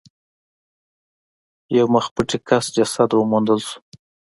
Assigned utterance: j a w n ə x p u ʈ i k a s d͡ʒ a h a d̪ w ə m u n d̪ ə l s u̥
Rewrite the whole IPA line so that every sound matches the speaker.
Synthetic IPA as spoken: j a w m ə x p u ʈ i k a s d͡ʒ a s a d̪ w ə m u n d̪ ə l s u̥